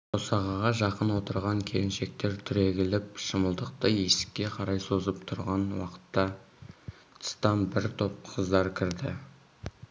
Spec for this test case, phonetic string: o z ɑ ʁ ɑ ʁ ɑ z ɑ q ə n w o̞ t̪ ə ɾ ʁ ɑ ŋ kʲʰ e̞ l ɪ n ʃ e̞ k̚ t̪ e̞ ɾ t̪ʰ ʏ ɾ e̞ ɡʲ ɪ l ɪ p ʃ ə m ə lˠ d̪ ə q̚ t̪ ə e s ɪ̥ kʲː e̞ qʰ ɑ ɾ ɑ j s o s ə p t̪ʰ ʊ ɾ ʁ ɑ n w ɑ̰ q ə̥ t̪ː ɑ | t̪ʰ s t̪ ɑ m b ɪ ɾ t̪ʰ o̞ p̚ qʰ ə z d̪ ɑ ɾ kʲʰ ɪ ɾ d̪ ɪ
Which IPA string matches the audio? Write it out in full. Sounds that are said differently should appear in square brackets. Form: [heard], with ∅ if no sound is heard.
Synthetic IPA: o [s] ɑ ʁ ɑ ʁ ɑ [ʒ] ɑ q ə n w o̞ t̪ ə ɾ ʁ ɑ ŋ kʲʰ e̞ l ɪ n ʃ e̞ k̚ t̪ e̞ ɾ t̪ʰ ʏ ɾ e̞ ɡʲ ɪ l ɪ p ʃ ə m ə lˠ d̪ ə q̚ t̪ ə e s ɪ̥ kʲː e̞ qʰ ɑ ɾ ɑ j s o [z] ə p t̪ʰ ʊ ɾ ʁ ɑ n w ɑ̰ q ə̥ t̪ː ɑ | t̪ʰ s t̪ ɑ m b ɪ ɾ t̪ʰ o̞ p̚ qʰ ə z d̪ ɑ ɾ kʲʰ ɪ ɾ d̪ ɪ